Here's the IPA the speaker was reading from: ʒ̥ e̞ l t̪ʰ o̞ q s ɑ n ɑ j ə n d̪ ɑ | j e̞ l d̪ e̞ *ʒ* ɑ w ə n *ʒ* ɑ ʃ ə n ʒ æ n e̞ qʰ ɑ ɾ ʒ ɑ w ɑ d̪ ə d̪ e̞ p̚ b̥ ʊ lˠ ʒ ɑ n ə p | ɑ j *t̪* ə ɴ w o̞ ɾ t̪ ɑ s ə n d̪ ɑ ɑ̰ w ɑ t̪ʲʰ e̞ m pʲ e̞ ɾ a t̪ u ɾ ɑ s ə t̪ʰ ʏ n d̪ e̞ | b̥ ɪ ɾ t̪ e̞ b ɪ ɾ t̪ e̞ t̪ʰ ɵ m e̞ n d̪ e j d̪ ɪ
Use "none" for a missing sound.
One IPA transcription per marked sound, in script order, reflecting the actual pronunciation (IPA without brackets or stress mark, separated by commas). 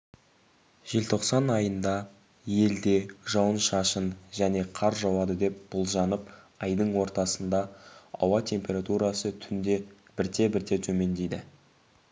ʒ, ʃ, d̪